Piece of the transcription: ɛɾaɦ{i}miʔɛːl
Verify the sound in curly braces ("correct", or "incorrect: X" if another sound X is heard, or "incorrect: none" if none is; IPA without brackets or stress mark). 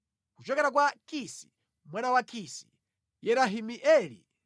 correct